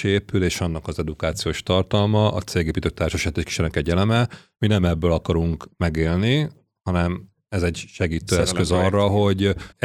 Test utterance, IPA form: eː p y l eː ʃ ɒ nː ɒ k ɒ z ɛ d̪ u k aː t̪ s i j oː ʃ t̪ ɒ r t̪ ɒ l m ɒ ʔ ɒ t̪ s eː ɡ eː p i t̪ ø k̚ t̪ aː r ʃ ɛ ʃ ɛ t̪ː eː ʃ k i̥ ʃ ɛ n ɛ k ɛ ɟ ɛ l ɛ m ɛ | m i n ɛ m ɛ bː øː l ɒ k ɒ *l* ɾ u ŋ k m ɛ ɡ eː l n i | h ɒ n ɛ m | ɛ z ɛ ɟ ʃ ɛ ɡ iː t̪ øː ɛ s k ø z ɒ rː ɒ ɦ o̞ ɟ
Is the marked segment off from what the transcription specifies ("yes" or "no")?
yes